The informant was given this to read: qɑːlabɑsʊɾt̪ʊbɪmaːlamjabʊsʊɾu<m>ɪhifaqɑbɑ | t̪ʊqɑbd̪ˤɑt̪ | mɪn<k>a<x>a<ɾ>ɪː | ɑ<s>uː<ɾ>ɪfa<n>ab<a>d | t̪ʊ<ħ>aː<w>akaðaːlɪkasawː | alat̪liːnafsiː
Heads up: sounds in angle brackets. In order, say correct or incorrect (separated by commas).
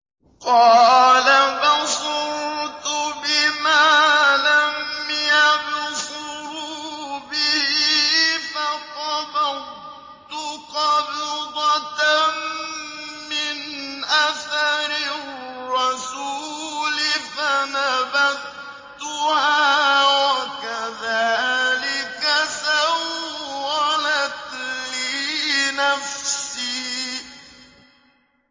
incorrect, incorrect, incorrect, correct, correct, incorrect, correct, correct, incorrect, correct